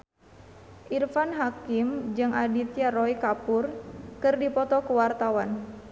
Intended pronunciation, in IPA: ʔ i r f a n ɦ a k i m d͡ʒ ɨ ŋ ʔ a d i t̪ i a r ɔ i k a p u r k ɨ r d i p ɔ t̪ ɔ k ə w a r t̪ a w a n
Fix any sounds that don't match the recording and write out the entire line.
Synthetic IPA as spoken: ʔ i r f a n ɦ a k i m d͡ʒ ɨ ŋ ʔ a d i t̪ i a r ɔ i k a p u r k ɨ r d i p ɔ t̪ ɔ k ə w a r t̪ a w a n